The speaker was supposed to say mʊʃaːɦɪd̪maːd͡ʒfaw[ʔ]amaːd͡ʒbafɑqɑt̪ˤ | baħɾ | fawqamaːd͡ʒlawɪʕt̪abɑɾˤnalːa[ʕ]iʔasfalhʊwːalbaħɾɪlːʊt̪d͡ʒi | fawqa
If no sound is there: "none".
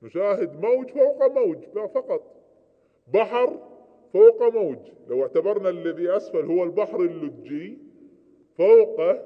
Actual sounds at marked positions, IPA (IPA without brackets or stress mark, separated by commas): q, ð